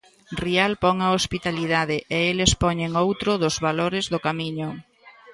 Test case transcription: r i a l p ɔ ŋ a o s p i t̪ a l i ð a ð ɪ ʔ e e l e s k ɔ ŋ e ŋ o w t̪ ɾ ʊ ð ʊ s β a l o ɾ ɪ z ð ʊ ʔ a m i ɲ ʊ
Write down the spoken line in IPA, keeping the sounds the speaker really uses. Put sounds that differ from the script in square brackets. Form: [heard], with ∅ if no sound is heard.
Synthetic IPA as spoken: r i a l p ɔ ŋ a o s p i t̪ a l i ð a ð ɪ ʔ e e l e s [p] ɔ [ɲ] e ŋ o w t̪ ɾ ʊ ð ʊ [z] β a l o ɾ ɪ z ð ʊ [k] a m i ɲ ʊ